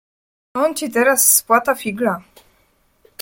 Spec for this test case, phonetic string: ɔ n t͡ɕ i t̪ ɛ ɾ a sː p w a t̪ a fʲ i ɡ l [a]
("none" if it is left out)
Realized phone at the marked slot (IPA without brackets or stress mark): a